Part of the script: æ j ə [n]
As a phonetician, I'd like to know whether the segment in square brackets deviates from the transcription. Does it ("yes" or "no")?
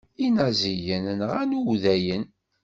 no